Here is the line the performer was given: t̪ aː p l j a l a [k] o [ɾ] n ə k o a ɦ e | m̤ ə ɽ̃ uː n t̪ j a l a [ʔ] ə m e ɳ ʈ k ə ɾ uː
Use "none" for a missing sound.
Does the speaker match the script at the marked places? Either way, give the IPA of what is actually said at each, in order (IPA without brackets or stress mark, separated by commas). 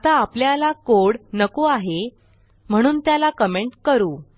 k, ɽ, k